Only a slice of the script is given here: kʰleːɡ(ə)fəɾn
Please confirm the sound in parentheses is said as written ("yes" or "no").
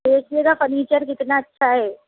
no